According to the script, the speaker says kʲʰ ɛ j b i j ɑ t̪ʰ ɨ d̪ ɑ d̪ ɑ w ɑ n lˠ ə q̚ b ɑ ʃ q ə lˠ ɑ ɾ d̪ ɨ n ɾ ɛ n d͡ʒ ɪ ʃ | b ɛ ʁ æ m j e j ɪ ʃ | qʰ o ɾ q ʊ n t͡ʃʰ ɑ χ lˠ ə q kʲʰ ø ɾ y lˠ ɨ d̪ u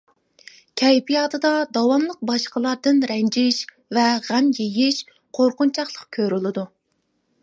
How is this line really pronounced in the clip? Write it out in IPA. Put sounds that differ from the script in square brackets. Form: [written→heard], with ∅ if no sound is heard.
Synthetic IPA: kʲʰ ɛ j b i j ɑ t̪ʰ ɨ d̪ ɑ d̪ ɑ w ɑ n lˠ ə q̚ b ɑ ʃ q ə lˠ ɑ ɾ d̪ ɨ n ɾ ɛ n d͡ʒ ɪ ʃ | [b→v] ɛ ʁ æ m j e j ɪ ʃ | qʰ o ɾ q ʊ n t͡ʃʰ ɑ χ lˠ ə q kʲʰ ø ɾ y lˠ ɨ d̪ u